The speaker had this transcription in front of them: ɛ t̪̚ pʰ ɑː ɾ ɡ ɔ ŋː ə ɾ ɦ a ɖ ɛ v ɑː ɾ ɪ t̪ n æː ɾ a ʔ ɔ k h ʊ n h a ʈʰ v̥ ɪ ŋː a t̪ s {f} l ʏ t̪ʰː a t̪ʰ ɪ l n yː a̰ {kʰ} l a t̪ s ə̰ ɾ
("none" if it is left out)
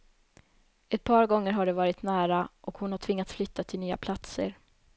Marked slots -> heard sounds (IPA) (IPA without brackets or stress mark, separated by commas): f, pʰ